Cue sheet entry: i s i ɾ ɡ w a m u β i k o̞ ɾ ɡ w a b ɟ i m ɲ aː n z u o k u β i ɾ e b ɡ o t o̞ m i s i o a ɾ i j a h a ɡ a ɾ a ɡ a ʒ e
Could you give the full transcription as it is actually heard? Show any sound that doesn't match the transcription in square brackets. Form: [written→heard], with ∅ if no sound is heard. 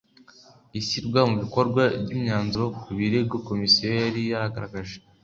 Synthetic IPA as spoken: i s i ɾ ɡ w a m u β i k o̞ ɾ ɡ w a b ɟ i m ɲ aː n z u o k u β i ɾ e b ɡ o [t→k] o̞ m i s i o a ɾ i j a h a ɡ a ɾ a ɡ a ʒ e